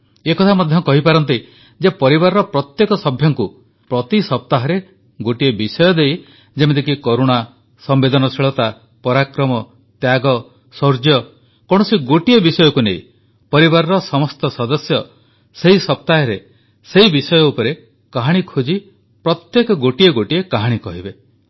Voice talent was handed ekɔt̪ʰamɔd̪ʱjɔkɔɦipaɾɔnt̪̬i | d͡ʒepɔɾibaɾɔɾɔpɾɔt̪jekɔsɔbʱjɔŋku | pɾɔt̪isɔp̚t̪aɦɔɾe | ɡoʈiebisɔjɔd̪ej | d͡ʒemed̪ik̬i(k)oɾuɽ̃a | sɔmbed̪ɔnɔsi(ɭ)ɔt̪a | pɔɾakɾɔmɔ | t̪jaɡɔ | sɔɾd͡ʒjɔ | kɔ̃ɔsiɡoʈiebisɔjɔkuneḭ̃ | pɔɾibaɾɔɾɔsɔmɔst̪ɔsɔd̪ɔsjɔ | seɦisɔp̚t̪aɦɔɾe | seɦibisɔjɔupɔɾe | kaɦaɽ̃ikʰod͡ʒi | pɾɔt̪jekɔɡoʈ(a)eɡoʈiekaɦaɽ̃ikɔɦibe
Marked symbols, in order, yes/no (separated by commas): yes, yes, no